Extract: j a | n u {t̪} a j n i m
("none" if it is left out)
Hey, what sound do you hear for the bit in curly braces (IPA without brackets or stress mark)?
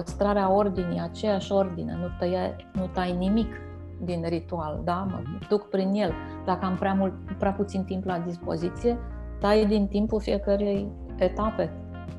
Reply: t̪